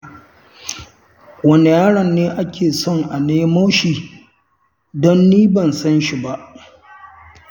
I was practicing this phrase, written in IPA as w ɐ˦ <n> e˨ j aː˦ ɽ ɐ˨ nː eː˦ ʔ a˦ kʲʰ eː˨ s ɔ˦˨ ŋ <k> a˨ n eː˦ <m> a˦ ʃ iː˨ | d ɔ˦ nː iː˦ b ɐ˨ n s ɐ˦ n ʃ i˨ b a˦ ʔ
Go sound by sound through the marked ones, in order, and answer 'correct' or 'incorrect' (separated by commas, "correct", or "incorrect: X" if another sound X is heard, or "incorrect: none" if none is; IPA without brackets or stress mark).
correct, incorrect: ʔ, correct